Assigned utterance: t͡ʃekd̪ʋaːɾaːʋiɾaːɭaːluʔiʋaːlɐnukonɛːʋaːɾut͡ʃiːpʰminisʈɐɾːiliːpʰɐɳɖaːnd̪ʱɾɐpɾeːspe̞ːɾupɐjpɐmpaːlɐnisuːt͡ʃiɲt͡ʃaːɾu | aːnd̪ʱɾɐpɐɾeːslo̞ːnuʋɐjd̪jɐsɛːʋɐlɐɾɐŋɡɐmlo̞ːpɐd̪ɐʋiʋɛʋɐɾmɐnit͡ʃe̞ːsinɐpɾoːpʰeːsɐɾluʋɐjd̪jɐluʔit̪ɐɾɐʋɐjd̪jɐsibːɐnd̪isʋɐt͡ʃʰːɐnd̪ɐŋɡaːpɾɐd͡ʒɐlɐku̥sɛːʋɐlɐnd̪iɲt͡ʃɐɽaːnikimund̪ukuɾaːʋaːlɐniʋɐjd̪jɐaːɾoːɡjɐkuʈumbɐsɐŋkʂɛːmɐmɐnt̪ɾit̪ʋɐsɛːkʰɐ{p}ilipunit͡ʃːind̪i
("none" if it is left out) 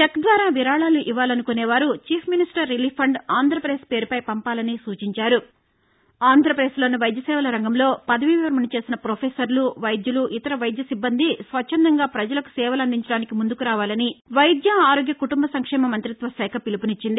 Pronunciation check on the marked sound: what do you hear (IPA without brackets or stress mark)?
p